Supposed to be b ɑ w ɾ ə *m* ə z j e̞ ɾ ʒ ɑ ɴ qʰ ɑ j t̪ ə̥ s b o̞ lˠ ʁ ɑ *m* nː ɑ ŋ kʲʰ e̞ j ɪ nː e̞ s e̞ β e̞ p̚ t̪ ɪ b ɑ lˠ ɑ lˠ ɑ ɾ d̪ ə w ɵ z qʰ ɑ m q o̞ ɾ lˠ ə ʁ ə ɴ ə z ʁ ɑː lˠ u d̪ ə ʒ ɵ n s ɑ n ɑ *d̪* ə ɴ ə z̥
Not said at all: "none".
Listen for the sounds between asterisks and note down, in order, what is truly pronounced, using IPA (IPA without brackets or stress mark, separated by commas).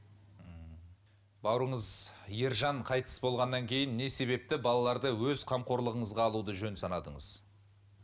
ɴ, none, d̪